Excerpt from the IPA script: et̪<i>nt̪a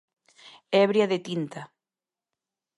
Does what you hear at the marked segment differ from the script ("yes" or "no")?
no